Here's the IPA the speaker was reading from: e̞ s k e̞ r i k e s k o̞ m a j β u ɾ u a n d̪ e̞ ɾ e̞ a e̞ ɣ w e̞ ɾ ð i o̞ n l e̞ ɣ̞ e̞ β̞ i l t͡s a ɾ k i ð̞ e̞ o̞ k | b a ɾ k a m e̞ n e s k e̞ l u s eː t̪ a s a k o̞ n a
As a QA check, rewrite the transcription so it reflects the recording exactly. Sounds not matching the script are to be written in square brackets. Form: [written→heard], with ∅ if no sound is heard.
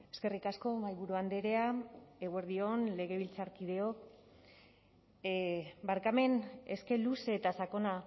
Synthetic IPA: e̞ s k e̞ r i k [e→a] s k o̞ m a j β u ɾ u a n d̪ e̞ ɾ e̞ a e̞ ɣ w e̞ ɾ ð i o̞ n l e̞ ɣ̞ e̞ β̞ i l t͡s a ɾ k i ð̞ e̞ o̞ k | b a ɾ k a m e̞ n e s k e̞ l u s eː t̪ a s a k o̞ n a